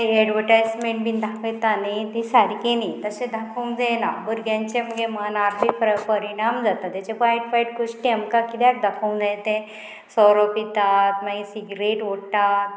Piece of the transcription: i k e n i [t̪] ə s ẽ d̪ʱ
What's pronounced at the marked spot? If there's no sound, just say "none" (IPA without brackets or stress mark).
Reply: t̪